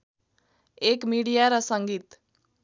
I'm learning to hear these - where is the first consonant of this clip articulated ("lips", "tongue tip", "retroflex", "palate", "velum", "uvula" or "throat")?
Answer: velum